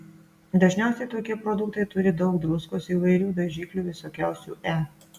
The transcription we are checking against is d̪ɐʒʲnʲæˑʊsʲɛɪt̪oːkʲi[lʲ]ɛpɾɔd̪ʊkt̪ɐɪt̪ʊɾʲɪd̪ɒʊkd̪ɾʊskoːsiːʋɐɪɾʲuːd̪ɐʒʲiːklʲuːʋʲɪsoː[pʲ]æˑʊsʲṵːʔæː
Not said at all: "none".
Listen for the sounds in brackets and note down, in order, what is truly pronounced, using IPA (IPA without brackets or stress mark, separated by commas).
none, kʲ